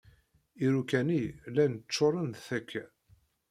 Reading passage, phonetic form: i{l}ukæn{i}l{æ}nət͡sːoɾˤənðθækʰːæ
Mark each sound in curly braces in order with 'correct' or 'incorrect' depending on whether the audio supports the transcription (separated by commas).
incorrect, correct, correct